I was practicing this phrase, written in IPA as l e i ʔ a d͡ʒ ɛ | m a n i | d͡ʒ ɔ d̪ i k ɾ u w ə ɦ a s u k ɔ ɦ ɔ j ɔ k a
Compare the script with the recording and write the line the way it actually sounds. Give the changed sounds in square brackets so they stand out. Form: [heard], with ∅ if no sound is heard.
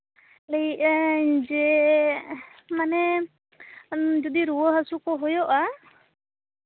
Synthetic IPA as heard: l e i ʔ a d͡ʒ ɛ | m a n [ɛ] | d͡ʒ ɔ d̪ i [∅] ɾ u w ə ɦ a s u k ɔ ɦ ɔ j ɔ [ʔ] a